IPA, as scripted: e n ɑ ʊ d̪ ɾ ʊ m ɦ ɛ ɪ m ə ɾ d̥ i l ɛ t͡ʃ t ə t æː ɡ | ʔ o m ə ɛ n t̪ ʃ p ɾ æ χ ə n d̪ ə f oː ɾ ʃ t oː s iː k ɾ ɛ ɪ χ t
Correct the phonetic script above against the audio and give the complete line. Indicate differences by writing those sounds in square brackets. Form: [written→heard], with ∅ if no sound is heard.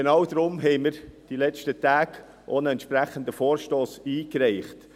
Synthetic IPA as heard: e n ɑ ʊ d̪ ɾ ʊ m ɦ ɛ ɪ m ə ɾ d̥ i l ɛ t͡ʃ t ə t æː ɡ | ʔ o [m→n] ə ɛ n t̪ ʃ p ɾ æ χ ə n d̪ ə f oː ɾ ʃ t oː s iː k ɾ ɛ ɪ χ t